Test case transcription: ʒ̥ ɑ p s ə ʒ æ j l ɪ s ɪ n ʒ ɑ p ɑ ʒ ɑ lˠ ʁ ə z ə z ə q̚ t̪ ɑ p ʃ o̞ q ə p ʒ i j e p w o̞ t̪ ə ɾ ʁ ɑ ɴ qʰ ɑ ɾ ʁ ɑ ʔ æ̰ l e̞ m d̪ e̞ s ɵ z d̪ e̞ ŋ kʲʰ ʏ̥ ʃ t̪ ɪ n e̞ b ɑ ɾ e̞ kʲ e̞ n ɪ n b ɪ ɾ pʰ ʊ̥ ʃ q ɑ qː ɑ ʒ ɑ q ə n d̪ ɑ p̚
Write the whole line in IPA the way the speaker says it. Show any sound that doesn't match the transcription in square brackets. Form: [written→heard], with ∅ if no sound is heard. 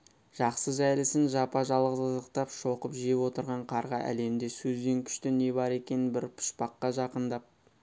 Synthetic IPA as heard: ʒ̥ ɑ [p→q] s ə ʒ æ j l ɪ s ɪ n ʒ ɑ p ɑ ʒ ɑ lˠ ʁ ə z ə z ə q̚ t̪ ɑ p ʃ o̞ q ə p ʒ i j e p w o̞ t̪ ə ɾ ʁ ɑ ɴ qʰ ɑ ɾ ʁ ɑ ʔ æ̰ l e̞ m d̪ e̞ s ɵ z d̪ e̞ ŋ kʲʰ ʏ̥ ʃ t̪ ɪ n e̞ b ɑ ɾ e̞ kʲ e̞ n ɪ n b ɪ ɾ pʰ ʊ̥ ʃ [q→p] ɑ qː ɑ ʒ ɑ q ə n d̪ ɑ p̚